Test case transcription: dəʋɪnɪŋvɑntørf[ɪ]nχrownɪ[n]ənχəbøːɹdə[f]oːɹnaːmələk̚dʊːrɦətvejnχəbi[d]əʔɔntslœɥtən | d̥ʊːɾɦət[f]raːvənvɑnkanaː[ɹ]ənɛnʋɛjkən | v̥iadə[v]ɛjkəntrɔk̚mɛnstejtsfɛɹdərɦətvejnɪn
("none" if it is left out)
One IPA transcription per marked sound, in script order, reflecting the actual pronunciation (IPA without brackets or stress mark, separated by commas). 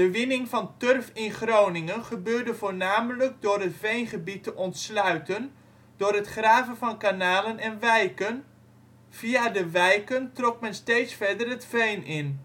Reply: ɪ, ŋ, v, t, χ, l, ʋ